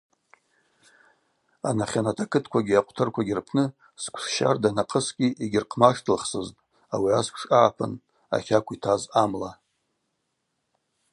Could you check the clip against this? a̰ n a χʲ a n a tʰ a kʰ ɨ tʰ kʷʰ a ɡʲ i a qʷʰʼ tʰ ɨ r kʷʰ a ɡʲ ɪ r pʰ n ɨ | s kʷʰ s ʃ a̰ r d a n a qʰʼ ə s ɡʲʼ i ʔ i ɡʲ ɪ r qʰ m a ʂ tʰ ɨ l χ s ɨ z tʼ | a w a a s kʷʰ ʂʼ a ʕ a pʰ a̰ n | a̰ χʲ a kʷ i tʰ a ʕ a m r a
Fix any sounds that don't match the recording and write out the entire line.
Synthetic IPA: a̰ n a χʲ a n a tʰ a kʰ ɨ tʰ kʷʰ a ɡʲ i a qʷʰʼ tʰ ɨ r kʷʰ a ɡʲ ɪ r pʰ n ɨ | s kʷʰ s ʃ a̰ r d a n a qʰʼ ə s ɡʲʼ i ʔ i ɡʲ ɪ r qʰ m a ʂ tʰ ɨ l χ s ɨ z tʼ | a w i a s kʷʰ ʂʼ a ʕ a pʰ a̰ n | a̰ χʲ a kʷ i tʰ a z a m l a